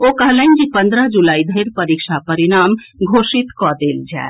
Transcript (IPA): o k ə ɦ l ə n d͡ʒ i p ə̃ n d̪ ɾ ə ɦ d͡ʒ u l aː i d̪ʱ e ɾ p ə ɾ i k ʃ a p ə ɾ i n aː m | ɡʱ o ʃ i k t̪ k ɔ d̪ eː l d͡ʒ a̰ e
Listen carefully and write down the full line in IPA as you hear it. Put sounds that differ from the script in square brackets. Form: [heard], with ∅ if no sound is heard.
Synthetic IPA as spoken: o k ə ɦ l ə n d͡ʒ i p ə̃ n d̪ ɾ ə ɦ d͡ʒ u l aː i d̪ʱ e ɾ p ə ɾ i k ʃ a p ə ɾ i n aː m | ɡʱ o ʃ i [∅] t̪ k ɔ d̪ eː l d͡ʒ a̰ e

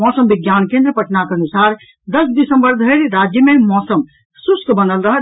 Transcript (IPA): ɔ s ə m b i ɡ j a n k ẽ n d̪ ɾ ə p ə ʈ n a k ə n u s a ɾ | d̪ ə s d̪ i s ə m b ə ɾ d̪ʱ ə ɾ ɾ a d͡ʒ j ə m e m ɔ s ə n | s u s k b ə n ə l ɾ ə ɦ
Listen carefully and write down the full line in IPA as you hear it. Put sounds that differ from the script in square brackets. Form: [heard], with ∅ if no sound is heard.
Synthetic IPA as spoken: ɔ s ə m b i ɡ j a n k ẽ n d̪ ɾ ə p ə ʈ n a k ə n u s a ɾ | d̪ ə s d̪ i s ə m b ə ɾ d̪ʱ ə ɾ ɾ a d͡ʒ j ə m e m ɔ s ə [m] | s u s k b ə n ə l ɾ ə ɦ

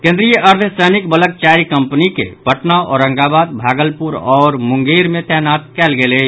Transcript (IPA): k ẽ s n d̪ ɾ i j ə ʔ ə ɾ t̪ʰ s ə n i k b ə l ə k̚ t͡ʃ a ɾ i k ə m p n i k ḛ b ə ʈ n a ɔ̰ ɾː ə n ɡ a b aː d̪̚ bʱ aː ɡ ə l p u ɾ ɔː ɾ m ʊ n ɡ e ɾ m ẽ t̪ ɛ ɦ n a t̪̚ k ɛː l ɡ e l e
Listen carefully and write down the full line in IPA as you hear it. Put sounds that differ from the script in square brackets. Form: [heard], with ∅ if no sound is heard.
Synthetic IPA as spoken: k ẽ [∅] n d̪ ɾ i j ə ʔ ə ɾ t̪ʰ s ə n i k b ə l ə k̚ t͡ʃ a ɾ i k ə m p n i k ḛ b ə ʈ n a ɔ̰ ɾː ə [ŋ] ɡ a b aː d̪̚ bʱ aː ɡ ə l p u ɾ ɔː ɾ m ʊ [ŋ] ɡ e ɾ m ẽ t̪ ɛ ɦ n a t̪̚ k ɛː l ɡ e l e

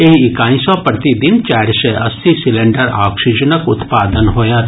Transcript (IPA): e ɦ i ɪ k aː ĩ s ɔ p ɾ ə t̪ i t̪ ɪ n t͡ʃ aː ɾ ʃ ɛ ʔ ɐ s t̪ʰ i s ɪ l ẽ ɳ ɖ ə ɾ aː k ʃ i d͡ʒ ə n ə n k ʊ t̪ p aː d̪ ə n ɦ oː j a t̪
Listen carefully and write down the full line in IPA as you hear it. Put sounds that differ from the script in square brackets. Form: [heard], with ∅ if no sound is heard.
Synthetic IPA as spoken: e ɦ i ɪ k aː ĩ s ɔ p ɾ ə t̪ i [d̪] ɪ n t͡ʃ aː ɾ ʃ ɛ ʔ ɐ s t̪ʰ i s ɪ l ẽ ɳ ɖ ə ɾ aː k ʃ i d͡ʒ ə n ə [∅] k ʊ t̪ p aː d̪ ə n ɦ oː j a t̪

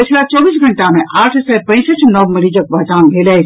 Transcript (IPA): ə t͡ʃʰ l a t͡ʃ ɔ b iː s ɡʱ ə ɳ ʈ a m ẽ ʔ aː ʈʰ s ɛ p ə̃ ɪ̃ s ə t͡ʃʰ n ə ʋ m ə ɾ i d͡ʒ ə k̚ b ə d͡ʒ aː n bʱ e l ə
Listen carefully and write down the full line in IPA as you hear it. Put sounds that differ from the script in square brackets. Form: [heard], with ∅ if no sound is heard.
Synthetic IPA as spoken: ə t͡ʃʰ l a t͡ʃ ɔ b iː s ɡʱ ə ɳ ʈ a m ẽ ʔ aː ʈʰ s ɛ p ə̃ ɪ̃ s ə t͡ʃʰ n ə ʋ m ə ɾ i d͡ʒ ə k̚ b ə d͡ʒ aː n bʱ e l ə

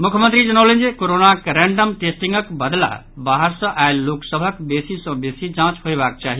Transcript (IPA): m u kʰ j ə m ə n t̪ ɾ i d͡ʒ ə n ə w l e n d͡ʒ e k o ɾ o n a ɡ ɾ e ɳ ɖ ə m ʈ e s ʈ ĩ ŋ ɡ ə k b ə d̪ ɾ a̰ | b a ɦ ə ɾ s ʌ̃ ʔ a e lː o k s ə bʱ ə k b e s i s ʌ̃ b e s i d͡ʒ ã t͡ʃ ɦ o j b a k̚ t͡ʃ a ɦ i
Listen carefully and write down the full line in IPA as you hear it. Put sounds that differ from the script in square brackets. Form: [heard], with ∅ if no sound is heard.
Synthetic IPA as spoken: m u kʰ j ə m ə n t̪ ɾ i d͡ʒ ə n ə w l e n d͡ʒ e k o ɾ o n a [k] ɾ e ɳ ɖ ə m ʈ e s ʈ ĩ ŋ ɡ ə k b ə d̪ [l] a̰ | b a ɦ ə ɾ s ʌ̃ ʔ a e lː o k s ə bʱ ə k b e s i s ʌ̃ b e s i d͡ʒ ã t͡ʃ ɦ o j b a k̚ t͡ʃ a ɦ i

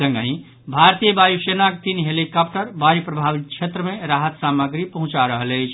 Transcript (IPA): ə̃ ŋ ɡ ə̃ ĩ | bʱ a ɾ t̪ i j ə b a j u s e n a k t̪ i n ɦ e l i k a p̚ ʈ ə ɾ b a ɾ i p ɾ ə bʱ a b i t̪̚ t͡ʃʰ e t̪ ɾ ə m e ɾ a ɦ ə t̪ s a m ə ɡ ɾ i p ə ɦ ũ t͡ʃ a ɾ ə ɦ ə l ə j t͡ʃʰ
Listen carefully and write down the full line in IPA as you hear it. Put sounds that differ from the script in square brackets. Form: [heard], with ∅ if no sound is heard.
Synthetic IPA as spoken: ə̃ ŋ ɡ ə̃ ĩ | bʱ a ɾ t̪ i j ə b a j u s e n a k t̪ i n ɦ e l i k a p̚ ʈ ə ɾ b a ɾ i p ɾ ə bʱ a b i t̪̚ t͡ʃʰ e t̪ ɾ ə m e ɾ a ɦ ə t̪ s a m ə ɡ ɾ i p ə ɦ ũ t͡ʃ a ɾ ə ɦ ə l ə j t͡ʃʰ

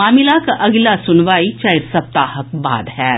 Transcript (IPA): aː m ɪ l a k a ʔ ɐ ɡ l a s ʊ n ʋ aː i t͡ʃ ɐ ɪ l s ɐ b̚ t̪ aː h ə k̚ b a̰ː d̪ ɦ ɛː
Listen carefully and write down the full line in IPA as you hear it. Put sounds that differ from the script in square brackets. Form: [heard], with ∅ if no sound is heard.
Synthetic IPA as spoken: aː m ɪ l a k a ʔ ɐ ɡ l a s ʊ n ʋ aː i t͡ʃ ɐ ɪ [ɾ] s ɐ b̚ t̪ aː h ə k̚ b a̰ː d̪ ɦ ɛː

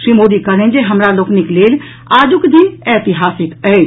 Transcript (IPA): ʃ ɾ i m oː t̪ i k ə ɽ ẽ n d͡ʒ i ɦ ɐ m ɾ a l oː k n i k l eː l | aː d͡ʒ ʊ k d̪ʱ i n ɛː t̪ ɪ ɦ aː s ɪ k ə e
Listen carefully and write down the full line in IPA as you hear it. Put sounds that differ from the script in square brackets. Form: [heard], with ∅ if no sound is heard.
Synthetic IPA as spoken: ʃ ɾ i m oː [d̪] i k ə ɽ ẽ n d͡ʒ [e] ɦ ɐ m ɾ a l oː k n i k l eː l | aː d͡ʒ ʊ k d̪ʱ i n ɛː t̪ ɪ ɦ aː s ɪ k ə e

